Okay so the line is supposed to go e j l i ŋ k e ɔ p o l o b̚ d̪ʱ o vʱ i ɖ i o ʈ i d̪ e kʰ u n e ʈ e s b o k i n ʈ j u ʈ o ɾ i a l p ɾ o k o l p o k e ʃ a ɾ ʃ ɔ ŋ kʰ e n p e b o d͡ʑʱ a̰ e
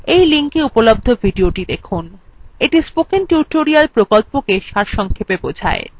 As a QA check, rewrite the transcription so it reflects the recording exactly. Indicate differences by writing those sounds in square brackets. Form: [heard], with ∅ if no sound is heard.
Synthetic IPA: e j l i ŋ k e [u] p o l o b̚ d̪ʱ o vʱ i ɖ i o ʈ i d̪ e kʰ u n e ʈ [i] s [p] o k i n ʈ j u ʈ o ɾ i a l p ɾ o k o l p o k e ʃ a ɾ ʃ ɔ ŋ kʰ e [∅] p e b o d͡ʑʱ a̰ e